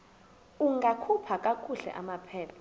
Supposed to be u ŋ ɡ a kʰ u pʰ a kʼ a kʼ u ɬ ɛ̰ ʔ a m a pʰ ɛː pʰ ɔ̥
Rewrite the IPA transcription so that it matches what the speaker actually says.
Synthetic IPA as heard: u ŋ ɡ a kʰ u pʰ a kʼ a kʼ u ɬ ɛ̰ ʔ a m a pʰ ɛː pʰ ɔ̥